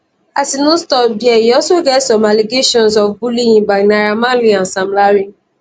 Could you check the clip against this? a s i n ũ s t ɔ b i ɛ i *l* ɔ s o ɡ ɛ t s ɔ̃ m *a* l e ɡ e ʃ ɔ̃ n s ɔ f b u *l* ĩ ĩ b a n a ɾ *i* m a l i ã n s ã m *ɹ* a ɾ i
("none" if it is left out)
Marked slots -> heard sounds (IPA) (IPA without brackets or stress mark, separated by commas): none, a, l, a, l